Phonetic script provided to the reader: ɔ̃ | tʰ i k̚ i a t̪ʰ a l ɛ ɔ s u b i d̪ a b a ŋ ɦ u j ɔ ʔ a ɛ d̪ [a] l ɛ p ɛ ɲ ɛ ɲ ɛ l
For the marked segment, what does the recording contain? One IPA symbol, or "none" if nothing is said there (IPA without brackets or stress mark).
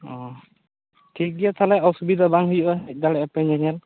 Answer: a